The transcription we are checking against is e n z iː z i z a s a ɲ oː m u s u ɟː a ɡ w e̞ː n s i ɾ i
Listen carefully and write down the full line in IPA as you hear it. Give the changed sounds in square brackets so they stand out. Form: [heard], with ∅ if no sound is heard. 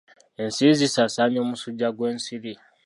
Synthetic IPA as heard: e n [s] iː z i [s] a s a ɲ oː m u s u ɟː a ɡ w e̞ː n s i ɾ i